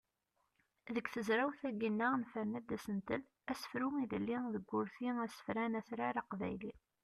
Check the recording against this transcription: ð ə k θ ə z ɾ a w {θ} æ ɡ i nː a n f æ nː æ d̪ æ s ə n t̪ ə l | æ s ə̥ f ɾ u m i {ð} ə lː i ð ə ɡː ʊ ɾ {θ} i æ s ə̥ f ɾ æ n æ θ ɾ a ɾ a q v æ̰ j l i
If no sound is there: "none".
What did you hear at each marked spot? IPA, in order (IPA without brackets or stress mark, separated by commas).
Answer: θ, ð, θ